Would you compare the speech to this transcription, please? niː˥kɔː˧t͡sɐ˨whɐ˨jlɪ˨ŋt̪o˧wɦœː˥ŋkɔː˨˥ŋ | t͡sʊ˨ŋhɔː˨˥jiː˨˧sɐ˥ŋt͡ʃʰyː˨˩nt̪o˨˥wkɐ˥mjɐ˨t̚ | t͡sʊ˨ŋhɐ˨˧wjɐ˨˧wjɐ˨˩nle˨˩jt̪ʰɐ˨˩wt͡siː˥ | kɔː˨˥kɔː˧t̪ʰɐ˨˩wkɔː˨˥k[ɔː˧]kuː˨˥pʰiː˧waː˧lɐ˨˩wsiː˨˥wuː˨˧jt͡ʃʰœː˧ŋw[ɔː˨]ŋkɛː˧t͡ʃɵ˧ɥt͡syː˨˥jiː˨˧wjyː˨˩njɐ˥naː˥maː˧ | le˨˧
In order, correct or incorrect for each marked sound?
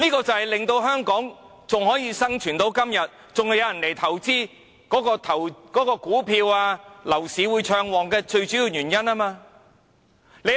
correct, correct

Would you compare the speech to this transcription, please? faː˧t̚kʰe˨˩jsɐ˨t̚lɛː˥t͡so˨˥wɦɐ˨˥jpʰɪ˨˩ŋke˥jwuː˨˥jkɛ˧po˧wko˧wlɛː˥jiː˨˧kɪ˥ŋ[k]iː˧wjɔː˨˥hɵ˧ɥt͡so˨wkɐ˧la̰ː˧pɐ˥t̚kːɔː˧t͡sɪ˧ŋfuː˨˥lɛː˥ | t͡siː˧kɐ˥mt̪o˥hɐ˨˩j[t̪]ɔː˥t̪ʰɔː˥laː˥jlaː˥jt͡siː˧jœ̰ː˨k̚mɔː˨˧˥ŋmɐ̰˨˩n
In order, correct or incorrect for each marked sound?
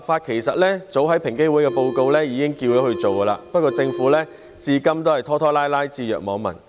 correct, incorrect: t̪ʰ

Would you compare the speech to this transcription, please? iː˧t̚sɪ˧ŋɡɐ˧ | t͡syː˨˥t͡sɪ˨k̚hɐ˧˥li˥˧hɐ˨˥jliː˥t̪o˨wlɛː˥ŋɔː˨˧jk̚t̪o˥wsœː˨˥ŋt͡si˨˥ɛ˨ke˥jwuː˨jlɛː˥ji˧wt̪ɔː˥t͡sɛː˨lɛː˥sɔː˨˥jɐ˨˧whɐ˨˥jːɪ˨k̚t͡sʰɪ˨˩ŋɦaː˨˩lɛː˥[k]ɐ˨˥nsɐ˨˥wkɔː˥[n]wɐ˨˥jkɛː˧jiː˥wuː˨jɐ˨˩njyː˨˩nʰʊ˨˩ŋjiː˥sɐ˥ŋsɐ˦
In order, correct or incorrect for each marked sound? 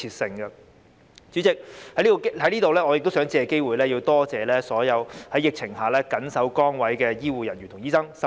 correct, incorrect: ŋ

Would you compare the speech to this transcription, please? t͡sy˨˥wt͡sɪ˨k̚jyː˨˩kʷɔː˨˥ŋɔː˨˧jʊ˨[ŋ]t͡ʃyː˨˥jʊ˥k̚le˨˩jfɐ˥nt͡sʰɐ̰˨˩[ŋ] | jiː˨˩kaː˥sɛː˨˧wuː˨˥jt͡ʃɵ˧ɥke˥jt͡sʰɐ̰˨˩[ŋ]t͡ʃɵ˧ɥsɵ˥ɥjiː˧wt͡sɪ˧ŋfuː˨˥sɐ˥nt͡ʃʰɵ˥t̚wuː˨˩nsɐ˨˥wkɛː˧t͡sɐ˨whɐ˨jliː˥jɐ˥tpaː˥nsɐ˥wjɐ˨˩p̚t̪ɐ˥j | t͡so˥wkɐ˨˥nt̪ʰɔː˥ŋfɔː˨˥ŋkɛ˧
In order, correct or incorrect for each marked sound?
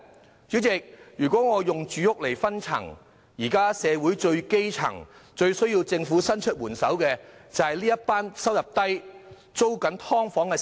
correct, correct, correct

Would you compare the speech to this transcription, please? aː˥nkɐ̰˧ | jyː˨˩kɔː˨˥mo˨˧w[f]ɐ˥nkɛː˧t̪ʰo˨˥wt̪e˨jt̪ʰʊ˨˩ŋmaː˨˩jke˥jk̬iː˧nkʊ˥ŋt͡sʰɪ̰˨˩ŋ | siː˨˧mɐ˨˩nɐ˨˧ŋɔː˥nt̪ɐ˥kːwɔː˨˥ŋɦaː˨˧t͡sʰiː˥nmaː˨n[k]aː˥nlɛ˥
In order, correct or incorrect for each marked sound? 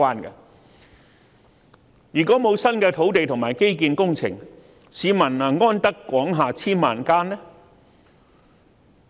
incorrect: s, correct

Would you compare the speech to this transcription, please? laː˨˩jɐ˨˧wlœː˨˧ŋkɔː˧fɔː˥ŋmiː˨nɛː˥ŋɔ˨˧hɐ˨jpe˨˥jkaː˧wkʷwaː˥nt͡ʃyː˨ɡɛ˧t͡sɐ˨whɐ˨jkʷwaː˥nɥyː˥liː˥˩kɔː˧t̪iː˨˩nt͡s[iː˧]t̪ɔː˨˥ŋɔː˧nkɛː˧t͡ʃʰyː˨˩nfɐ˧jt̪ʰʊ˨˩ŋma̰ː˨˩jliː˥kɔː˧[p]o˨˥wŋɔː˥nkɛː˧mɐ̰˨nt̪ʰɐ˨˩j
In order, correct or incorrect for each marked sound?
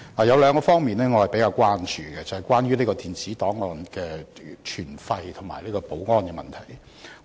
incorrect: iː˨˥, correct

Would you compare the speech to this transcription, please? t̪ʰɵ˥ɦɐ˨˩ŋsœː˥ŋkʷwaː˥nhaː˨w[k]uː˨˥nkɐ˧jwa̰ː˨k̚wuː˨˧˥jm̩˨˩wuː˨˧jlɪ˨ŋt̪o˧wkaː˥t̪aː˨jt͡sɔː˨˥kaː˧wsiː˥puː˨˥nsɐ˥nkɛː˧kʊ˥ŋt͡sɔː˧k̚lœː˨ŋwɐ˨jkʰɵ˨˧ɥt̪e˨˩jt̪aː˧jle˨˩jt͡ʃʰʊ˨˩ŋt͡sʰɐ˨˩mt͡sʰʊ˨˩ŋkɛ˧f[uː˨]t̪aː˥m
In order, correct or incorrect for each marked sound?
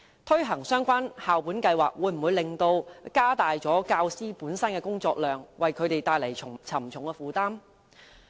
incorrect: p, correct

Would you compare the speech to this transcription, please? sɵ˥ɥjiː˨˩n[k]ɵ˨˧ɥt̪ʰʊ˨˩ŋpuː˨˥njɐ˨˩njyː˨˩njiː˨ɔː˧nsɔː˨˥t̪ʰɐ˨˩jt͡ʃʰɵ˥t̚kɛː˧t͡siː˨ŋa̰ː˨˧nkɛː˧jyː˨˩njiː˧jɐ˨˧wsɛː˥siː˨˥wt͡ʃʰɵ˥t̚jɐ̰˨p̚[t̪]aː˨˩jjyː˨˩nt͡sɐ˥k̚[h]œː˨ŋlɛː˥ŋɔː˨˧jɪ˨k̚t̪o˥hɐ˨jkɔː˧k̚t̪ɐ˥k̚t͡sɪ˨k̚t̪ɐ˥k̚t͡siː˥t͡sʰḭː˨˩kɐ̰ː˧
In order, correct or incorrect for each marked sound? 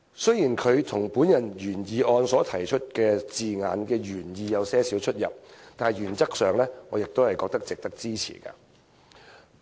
incorrect: kʰ, correct, incorrect: s

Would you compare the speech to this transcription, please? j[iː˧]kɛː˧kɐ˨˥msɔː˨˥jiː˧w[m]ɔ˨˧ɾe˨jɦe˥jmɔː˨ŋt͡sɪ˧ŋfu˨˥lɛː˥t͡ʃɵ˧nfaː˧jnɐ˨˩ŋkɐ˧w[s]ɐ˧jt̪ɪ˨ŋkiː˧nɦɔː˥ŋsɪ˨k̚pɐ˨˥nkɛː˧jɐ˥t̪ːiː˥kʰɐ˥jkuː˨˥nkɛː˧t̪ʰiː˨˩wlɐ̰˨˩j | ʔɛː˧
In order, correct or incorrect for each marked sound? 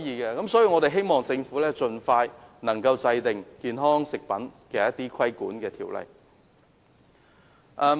correct, incorrect: ŋ, incorrect: t͡s

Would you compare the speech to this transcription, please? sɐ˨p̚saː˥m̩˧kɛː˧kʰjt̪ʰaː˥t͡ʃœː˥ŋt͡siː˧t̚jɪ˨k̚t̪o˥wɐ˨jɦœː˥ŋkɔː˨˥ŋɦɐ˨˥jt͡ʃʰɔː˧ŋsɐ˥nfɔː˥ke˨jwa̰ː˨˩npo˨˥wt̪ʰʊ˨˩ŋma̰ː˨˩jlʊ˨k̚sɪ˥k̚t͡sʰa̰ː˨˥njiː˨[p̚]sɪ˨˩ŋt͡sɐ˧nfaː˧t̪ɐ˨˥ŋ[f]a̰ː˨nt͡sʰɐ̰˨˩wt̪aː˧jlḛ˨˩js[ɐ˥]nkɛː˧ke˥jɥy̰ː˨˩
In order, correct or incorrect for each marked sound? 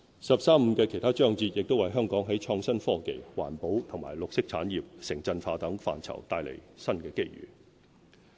correct, correct, correct

